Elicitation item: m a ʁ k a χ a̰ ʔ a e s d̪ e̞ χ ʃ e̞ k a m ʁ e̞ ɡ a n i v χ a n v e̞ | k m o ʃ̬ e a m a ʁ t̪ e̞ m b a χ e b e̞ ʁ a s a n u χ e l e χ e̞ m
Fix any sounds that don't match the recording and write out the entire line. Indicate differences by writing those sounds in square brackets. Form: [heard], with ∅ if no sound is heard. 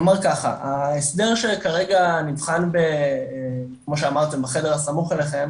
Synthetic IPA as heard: m a ʁ k a χ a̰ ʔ a e s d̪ e̞ [ʁ] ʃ e̞ k a [∅] ʁ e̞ ɡ a n i v χ a n [b] e̞ | k m o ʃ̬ e a m a ʁ t̪ e̞ m b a χ e [d] e̞ ʁ a s a [m] u χ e l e χ e̞ m

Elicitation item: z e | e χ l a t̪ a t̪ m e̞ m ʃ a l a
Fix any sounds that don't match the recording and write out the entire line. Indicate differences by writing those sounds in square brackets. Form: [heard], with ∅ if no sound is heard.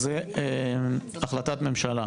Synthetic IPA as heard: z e | [a] χ l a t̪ a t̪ m e̞ m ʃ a l a

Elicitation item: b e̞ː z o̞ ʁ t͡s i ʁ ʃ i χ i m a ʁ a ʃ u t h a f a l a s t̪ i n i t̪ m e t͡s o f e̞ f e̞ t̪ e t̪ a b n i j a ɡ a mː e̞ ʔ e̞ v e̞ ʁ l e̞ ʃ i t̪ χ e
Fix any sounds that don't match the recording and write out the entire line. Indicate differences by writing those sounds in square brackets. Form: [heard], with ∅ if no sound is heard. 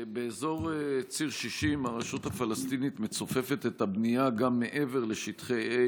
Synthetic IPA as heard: b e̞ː z o̞ ʁ t͡s i ʁ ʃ i [ʃ] i m a ʁ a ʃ u t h a f a l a s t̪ i n i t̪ m e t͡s o f e̞ f e̞ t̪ e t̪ a b n i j a ɡ a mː e̞ ʔ e̞ v e̞ ʁ l e̞ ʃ i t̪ χ e

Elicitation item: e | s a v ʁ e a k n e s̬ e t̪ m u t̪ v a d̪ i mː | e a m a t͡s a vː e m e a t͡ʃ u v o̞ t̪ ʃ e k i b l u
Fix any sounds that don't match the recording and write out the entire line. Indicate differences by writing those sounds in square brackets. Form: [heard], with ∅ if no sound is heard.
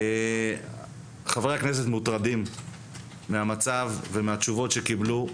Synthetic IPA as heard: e | [χ] a v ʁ e a k n e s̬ e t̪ m u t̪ [ʁ] a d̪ i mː | e a m a t͡s a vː e m e a t͡ʃ u v o̞ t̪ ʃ e k i b l u

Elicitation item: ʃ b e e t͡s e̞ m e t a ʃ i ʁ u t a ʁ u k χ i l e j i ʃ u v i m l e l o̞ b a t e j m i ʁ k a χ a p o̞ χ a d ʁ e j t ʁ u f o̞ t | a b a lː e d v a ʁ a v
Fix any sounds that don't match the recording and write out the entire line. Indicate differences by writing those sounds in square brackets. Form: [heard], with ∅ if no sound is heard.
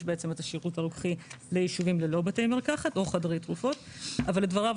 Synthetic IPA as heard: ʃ b e e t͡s e̞ m e t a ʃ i ʁ u t a ʁ u k χ i l e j i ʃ u v i m l e l o̞ b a t e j m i ʁ k a χ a [t] o̞ χ a d ʁ e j t ʁ u f o̞ t | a [v] a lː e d v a ʁ a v

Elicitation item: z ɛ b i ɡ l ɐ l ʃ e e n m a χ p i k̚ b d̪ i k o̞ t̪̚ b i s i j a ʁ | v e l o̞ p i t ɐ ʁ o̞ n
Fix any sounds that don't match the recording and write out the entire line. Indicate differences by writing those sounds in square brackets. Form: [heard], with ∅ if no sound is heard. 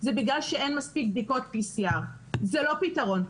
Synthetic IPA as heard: z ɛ b i ɡ l [a] l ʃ e e n m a [s] p i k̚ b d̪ i k o̞ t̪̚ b i s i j a ʁ | [z] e l o̞ p i t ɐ ʁ o̞ n

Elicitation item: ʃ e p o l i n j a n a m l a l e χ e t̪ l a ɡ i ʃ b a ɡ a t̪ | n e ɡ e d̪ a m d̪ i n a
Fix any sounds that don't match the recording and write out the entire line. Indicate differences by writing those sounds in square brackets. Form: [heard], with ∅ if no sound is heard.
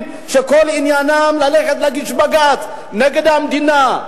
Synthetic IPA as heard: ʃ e [k] o l i n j a n a m l a l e χ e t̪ l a ɡ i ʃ b a ɡ a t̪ | n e ɡ e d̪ a m d̪ i n a

